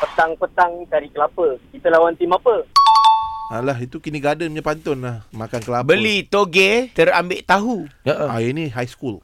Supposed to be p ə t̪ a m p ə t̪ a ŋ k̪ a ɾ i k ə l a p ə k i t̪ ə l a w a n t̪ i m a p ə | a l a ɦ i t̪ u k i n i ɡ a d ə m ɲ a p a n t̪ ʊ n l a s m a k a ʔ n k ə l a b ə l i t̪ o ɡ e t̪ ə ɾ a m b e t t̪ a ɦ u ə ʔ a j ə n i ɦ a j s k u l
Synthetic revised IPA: p ə t̪ a ŋ p ə t̪ a ŋ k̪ a ɾ i k ə l a p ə k i t̪ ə l a w a n t̪ i m a p ə | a l a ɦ i t̪ u k i n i ɡ a d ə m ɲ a p a n t̪ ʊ n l a h m a k a n k ə l a b ə l i t̪ o ɡ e t̪ ə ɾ a m b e ʔ t̪ a ɦ u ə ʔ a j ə n i ɦ a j s k u l